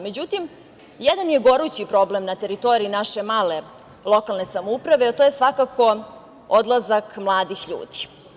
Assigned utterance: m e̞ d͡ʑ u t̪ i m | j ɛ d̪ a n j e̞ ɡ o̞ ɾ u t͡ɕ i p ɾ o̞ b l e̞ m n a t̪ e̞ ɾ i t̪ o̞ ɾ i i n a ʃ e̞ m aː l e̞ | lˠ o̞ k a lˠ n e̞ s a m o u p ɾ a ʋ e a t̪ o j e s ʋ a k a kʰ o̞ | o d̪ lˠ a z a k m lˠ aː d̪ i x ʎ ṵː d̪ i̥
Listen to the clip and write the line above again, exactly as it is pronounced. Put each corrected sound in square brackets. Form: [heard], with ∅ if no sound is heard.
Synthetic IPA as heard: m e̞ d͡ʑ u t̪ i m | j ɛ d̪ a n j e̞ ɡ o̞ ɾ u t͡ɕ i p ɾ o̞ b l e̞ m n a t̪ e̞ ɾ i t̪ o̞ ɾ i i n a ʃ e̞ m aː l e̞ | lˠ o̞ k a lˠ n e̞ s a m o u p ɾ a ʋ e a t̪ o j e s ʋ a k a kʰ o̞ | o d̪ lˠ a z a k m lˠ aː d̪ i x ʎ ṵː d̪ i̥